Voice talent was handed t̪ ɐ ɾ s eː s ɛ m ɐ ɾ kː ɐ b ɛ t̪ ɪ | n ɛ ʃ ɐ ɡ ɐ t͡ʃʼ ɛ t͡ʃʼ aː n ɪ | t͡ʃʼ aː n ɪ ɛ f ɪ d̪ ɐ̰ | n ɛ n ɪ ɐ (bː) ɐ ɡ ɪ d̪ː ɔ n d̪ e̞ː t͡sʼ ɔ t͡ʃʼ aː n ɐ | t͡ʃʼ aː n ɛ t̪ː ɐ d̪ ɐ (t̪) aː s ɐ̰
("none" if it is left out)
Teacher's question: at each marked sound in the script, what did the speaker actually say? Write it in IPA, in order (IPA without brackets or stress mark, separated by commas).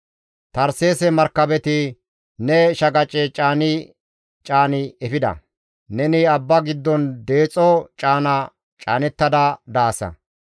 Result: bː, d̪